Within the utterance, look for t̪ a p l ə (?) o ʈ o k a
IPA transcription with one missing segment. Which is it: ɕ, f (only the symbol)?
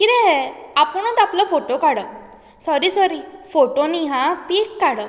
f